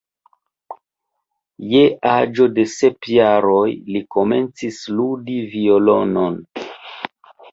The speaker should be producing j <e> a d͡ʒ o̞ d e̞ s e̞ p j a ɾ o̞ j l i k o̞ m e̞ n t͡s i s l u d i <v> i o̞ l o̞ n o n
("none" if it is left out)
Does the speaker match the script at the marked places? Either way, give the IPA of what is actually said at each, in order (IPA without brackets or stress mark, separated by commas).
e, v